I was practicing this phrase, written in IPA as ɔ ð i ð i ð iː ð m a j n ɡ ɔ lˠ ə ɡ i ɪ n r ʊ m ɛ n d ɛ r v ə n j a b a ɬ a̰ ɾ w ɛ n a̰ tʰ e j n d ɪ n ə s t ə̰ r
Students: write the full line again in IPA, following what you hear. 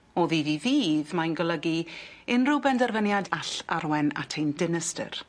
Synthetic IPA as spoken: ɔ ð i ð i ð iː ð m a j n ɡ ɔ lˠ ə ɡ i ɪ n r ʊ b ɛ n d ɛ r v ə n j a d a ɬ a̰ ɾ w ɛ n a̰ tʰ e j n d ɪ n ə s t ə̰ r